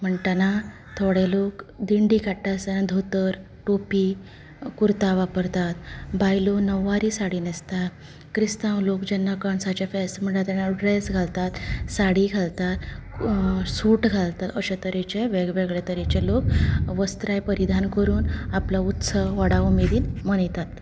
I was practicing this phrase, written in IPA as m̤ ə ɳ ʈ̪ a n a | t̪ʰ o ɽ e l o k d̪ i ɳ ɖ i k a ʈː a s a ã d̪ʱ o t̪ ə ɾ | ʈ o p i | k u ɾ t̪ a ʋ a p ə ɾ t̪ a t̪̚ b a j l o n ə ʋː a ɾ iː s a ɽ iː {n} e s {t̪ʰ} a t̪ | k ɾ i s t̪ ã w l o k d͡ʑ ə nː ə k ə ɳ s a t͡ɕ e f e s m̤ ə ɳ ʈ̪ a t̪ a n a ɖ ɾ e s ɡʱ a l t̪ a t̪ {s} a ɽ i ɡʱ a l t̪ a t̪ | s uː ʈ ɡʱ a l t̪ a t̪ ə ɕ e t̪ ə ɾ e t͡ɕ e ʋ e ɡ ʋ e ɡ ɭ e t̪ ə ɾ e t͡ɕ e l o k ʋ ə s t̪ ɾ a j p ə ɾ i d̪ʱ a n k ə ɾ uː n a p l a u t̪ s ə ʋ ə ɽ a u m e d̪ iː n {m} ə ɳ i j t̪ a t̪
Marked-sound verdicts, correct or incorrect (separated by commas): correct, incorrect, correct, correct